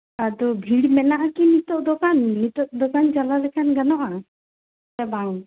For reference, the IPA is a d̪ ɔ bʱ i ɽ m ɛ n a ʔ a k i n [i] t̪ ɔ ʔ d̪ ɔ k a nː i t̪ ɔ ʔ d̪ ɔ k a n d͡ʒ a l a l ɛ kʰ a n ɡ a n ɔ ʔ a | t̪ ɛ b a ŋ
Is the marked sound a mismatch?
no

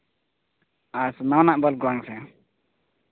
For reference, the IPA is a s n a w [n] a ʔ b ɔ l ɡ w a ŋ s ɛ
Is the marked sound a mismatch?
no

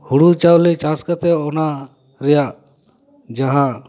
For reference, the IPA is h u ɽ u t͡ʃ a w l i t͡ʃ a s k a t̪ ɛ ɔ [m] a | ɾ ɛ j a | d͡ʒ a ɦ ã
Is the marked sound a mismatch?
yes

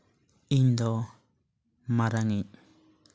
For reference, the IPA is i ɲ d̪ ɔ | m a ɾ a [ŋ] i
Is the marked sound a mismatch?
no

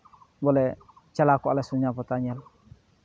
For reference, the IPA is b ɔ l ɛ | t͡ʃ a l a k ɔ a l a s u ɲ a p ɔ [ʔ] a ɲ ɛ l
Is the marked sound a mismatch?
yes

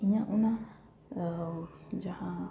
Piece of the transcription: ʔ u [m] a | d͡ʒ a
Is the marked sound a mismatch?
yes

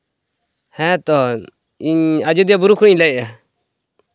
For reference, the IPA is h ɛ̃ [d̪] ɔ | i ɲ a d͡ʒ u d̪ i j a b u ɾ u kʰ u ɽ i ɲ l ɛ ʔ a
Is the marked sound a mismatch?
yes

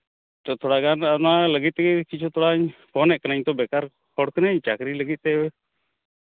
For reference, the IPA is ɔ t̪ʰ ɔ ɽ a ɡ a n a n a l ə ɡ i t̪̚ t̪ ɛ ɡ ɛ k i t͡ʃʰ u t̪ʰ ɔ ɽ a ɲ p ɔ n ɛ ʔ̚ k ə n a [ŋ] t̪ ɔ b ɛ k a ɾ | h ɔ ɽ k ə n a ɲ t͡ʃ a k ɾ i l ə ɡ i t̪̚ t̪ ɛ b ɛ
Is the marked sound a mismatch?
yes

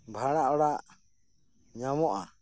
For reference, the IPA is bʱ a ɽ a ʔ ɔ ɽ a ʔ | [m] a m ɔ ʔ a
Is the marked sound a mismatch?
yes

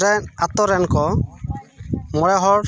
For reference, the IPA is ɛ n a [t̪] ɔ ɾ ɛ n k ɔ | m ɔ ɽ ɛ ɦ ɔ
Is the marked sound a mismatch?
no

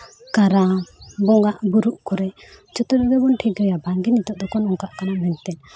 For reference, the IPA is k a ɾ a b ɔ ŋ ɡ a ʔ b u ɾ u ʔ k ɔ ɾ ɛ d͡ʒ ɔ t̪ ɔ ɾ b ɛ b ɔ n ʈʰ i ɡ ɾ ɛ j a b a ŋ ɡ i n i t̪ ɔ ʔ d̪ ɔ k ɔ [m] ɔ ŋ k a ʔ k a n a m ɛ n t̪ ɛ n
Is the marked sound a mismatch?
yes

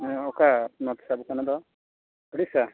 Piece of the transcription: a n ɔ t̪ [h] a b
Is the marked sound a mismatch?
yes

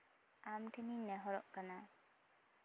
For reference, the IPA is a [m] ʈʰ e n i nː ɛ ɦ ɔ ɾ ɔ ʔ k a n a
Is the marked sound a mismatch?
no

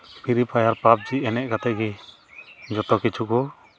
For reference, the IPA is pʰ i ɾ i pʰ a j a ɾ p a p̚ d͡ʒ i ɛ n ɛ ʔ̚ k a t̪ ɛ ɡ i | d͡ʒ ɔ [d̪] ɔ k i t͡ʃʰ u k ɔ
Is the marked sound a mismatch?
yes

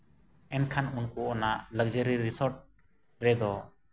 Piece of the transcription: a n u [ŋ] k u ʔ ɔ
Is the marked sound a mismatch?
yes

